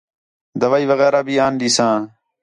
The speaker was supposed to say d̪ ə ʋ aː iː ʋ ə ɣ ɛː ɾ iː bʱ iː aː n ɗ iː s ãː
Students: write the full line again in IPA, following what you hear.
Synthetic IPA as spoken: d̪ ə ʋ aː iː ʋ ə ɣ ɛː ɾ aː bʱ iː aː n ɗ iː s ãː